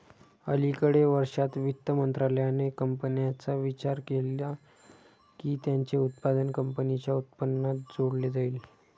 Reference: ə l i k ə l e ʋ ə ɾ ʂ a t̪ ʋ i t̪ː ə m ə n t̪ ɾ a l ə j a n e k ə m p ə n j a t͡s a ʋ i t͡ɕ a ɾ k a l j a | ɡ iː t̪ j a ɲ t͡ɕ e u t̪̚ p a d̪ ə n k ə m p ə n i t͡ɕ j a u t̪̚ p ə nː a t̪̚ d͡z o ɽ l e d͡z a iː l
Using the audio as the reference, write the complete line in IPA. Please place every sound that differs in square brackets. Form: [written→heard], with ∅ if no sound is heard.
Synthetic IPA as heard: ə l i k ə [l→ɽ] e ʋ ə ɾ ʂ a t̪ ʋ i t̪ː ə m ə n t̪ ɾ a l ə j a n e k ə m p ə n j a t͡s a ʋ i t͡ɕ a ɾ k [a→e] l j a | [ɡ→k] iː t̪ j a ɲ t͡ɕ e u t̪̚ p a d̪ ə n k ə m p ə n i t͡ɕ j a u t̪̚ p ə nː a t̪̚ d͡z o ɽ l e d͡z a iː l